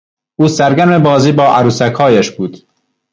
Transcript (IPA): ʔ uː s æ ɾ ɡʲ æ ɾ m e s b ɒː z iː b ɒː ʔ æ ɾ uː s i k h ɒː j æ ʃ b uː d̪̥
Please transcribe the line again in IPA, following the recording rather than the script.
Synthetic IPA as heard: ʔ uː s æ ɾ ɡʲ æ ɾ m e b ɒː z iː b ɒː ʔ æ ɾ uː s æ k h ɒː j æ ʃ b uː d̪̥